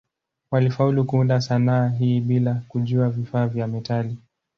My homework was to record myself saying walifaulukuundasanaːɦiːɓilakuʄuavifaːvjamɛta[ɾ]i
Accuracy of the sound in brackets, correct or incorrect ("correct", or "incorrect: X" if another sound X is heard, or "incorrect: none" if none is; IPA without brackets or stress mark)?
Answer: incorrect: l